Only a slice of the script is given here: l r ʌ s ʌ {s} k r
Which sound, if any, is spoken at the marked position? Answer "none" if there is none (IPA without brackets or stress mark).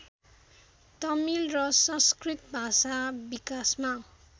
s